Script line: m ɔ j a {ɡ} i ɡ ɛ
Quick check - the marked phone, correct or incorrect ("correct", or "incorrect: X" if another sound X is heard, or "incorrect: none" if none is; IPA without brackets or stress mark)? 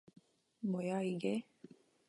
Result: incorrect: none